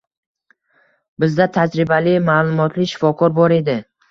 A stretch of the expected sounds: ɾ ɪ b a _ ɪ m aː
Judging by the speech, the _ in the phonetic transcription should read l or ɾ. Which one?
l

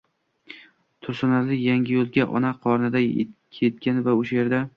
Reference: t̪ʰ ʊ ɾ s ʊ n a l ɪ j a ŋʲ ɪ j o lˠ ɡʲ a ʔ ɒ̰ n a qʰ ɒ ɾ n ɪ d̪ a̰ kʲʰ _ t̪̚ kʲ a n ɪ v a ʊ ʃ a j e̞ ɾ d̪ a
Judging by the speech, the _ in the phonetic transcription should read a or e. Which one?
e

